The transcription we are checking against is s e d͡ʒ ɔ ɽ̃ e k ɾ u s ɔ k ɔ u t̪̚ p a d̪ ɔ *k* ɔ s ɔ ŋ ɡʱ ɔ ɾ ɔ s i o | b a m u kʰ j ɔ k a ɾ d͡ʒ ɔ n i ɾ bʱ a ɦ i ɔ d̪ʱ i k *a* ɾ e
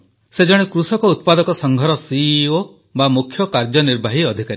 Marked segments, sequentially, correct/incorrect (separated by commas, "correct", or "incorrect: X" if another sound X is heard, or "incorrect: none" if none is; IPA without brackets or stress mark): correct, correct